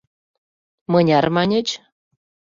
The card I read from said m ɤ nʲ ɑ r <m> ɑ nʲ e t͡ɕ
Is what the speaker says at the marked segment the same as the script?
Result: yes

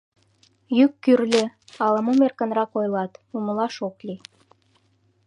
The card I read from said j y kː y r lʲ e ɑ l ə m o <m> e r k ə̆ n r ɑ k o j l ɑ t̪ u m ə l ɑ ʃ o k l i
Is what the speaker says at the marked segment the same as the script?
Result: yes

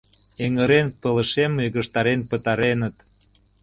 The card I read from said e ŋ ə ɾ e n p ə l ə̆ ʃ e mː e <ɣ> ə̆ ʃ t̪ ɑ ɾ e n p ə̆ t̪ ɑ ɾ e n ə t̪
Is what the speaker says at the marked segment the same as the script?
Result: yes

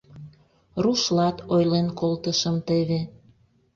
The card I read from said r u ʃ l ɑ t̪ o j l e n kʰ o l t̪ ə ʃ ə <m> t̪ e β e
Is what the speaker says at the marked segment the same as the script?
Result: yes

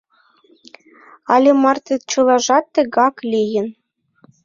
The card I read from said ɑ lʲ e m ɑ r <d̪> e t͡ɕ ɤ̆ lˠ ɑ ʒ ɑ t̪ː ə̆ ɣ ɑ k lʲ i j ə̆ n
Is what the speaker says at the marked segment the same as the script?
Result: no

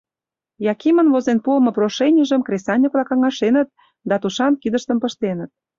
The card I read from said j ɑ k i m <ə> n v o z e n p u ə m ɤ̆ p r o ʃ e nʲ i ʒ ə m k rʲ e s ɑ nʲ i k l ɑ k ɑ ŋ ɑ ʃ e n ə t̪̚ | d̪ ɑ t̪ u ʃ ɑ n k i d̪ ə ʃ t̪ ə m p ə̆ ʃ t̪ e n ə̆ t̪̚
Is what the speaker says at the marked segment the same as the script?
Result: yes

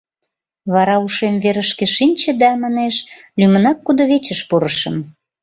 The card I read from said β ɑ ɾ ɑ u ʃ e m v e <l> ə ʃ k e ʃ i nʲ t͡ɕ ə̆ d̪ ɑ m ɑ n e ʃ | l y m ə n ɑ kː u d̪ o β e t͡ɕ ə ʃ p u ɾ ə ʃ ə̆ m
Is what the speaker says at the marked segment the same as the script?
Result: no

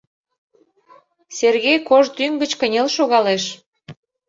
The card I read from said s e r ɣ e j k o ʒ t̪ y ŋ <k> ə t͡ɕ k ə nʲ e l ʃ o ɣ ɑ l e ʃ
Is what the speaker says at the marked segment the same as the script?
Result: no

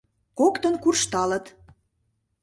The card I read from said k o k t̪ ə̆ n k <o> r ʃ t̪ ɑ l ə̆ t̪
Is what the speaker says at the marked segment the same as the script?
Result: no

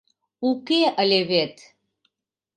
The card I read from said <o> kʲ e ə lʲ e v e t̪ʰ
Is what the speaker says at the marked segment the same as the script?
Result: no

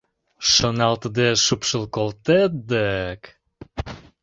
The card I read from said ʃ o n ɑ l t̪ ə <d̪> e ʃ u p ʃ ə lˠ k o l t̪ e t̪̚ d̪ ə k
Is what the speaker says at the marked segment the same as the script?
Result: yes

